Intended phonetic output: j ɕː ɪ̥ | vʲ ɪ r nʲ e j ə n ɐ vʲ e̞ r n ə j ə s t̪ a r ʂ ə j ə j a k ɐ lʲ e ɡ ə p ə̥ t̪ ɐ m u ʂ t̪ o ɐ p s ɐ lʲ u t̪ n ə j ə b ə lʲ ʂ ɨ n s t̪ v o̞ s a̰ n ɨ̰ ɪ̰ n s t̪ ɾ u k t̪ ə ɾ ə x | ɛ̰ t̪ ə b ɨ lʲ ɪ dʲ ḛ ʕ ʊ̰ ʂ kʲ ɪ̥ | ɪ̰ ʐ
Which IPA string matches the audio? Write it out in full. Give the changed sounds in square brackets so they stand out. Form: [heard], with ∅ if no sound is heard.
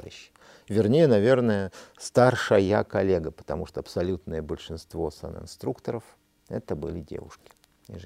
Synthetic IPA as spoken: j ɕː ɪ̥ | vʲ ɪ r nʲ e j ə n ɐ vʲ e̞ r n ə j ə s t̪ a r ʂ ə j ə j a k ɐ lʲ e ɡ ə p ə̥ t̪ ɐ m u ʂ t̪ o ɐ p s ɐ lʲ u t̪ n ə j ə b ə lʲ ʂ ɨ n s t̪ v o̞ s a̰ n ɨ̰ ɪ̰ n s t̪ ɾ u k t̪ ə ɾ ə [f] | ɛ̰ t̪ ə b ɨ lʲ ɪ dʲ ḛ [v] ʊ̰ ʂ kʲ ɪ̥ | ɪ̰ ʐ